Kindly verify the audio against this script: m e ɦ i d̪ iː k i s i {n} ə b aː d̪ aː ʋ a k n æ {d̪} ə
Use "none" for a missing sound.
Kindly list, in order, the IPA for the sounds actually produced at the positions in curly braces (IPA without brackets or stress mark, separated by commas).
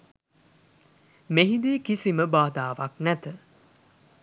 m, t̪